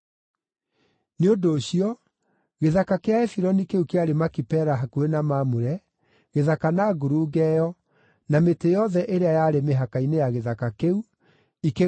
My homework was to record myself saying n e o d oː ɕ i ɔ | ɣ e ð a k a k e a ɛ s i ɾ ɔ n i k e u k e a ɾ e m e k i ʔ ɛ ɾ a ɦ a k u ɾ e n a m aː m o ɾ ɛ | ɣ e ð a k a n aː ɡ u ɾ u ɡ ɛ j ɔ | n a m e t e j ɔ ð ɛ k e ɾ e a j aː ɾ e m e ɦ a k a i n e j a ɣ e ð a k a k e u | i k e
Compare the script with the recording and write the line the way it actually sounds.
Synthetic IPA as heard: n e o d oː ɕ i ɔ | ɣ e ð a k a k e a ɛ f i ɾ ɔ n i k e u k e a ɾ e m a k i p ɛ ɾ a ɦ a k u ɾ e n a m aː m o ɾ ɛ | ɣ e ð a k a n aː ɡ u ɾ u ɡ ɛ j ɔ | n a m e t e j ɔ ð ɛ ʔ e ɾ e a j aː ɾ e m e ɦ a k a i n e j a ɣ e ð a k a k e u | i k e